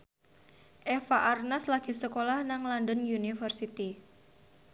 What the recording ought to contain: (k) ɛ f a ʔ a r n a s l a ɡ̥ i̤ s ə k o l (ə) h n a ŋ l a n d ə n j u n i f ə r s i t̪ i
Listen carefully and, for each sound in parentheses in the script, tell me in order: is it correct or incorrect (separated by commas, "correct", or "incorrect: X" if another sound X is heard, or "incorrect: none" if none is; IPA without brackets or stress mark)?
incorrect: ʔ, incorrect: a